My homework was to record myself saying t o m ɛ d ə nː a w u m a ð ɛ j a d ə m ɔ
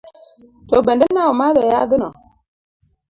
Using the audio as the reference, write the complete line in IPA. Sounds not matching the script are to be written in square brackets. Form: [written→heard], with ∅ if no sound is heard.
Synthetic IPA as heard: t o [m→b] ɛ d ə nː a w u m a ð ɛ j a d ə [m→n] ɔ